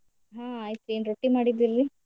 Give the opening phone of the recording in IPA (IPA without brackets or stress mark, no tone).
ɦ